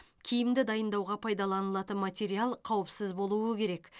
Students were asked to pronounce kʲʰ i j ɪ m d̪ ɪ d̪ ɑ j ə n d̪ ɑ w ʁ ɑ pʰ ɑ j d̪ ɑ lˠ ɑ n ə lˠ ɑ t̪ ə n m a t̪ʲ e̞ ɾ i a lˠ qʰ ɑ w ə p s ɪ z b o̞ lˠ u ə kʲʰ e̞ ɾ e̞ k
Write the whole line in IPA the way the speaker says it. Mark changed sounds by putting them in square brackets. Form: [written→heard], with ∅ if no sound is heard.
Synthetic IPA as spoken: kʲʰ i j ɪ m d̪ ɪ d̪ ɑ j ə n d̪ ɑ w ʁ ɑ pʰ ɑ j d̪ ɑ lˠ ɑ n ə lˠ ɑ t̪ ə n m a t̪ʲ e̞ ɾ i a lˠ qʰ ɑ w ə p s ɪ z b o̞ lˠ u ə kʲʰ e̞ ɾ e̞ k